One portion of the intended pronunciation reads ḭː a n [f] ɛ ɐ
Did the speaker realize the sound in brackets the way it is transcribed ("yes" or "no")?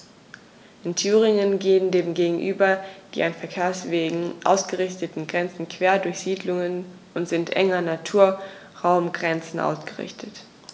yes